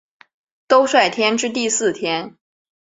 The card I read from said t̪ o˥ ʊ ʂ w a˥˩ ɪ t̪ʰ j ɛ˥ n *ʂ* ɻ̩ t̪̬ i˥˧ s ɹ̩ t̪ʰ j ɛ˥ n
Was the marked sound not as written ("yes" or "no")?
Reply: yes